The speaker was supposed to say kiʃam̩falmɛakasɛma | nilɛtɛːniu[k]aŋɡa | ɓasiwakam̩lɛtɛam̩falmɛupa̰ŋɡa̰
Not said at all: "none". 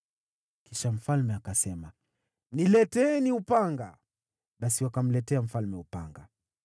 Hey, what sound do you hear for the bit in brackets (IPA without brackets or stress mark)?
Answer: p